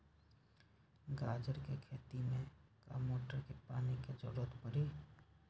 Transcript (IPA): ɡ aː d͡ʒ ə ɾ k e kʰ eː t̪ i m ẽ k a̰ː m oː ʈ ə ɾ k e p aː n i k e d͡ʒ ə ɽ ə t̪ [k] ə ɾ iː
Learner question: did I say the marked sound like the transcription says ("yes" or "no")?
no